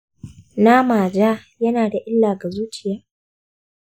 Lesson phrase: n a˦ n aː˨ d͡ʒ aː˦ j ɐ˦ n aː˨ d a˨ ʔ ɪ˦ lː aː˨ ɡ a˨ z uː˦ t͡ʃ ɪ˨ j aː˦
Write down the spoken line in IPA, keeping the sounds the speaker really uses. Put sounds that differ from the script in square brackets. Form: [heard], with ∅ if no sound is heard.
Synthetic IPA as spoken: n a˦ [m] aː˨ d͡ʒ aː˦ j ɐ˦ n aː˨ d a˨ ʔ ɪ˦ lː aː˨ ɡ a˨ z uː˦ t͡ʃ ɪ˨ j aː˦